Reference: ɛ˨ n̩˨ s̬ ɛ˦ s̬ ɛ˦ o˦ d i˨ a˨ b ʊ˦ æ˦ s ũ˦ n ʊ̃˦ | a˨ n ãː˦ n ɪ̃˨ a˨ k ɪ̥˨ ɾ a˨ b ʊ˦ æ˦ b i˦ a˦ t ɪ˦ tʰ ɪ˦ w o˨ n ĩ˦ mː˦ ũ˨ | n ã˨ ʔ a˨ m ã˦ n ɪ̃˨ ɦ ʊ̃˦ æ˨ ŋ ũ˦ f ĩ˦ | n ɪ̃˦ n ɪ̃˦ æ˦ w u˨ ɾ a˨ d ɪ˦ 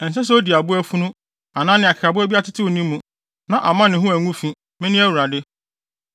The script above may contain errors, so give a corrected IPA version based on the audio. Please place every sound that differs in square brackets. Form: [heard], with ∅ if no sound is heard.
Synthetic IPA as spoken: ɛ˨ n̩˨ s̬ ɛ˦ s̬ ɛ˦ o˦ d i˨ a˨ b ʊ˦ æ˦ [f] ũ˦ n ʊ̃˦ | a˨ n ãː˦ n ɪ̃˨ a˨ k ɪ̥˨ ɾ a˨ b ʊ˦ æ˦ b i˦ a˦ t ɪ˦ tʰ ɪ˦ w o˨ n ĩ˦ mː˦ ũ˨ | n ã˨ ʔ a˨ m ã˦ n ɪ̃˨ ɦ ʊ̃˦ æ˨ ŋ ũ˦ f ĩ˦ | [m] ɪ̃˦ n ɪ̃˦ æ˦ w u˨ ɾ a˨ d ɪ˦